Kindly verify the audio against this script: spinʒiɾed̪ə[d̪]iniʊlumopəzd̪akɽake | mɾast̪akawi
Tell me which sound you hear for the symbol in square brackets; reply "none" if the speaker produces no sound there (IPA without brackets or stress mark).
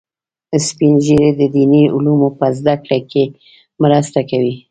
d̪